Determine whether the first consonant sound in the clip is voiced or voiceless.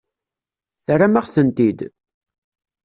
voiceless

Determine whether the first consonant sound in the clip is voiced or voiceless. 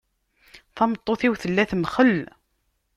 voiceless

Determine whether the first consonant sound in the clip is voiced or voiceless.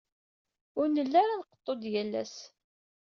voiced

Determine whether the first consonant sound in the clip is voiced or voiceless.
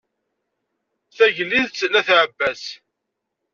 voiceless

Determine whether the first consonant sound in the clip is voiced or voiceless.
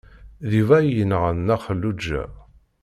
voiced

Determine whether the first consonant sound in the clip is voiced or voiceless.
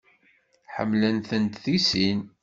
voiceless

